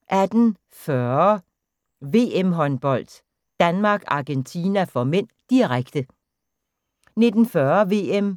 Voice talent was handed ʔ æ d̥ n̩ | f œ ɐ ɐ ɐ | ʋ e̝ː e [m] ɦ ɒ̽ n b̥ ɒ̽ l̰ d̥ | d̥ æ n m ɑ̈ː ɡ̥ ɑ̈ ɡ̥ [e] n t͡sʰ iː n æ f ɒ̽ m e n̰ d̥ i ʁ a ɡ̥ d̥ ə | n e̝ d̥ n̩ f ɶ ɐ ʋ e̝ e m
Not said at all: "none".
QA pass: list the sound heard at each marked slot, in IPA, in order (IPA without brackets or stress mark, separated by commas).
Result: m, e